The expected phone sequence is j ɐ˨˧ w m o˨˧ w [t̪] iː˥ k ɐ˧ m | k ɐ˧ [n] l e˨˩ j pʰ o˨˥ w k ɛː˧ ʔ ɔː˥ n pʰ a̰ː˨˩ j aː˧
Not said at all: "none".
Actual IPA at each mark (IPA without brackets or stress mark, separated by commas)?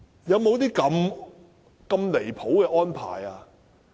t̪, m